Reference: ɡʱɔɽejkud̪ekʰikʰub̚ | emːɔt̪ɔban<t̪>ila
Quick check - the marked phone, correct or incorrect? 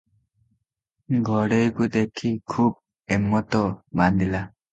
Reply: incorrect: d̪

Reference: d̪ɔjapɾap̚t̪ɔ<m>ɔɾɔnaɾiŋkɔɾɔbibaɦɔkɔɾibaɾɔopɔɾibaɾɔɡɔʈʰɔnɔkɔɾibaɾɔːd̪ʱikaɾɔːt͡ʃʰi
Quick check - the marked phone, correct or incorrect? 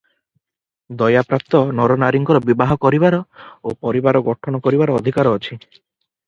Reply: incorrect: n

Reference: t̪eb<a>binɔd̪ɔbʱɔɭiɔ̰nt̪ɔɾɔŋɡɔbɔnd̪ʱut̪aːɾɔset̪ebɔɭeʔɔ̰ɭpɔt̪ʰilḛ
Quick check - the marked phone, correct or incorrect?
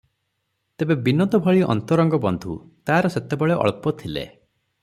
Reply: incorrect: e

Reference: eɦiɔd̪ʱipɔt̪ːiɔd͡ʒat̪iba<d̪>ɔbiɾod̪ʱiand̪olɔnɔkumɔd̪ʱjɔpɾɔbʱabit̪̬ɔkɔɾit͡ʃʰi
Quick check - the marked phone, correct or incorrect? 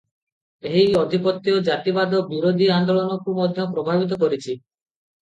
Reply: correct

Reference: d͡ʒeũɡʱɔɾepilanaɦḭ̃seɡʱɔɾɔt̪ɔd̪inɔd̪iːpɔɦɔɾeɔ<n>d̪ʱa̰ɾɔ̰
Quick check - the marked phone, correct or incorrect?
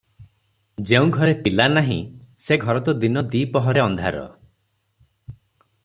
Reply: correct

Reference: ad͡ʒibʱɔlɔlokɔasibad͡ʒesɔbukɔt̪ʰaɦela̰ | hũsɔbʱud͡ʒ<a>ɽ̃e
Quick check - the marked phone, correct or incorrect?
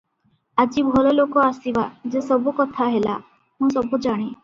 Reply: correct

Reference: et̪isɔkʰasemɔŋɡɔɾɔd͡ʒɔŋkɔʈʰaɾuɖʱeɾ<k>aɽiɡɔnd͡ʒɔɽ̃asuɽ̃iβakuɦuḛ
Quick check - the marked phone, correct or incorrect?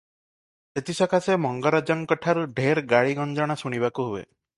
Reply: incorrect: ɡ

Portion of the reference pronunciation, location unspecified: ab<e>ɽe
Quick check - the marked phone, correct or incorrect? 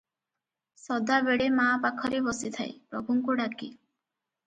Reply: correct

